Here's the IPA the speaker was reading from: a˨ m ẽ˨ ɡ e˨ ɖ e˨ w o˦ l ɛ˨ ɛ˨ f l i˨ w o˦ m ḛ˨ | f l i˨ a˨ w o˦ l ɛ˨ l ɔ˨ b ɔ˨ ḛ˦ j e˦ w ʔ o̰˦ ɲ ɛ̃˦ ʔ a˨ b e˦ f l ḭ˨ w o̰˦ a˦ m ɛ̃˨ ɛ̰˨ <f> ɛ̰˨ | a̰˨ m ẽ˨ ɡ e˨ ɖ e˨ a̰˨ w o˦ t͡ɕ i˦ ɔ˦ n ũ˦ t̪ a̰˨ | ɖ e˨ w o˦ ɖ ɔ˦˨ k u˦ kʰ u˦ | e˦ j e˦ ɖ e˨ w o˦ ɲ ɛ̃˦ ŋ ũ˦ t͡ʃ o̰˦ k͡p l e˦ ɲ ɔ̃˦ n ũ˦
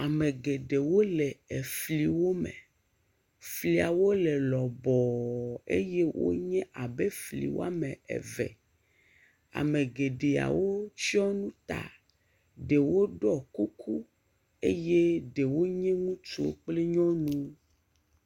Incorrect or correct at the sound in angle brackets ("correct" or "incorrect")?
incorrect